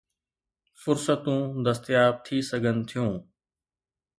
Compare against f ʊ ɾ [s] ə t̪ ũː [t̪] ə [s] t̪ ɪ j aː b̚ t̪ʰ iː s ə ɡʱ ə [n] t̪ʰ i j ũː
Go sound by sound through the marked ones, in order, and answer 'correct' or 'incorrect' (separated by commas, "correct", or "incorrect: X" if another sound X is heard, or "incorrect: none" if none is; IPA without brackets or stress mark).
correct, incorrect: d̪, correct, correct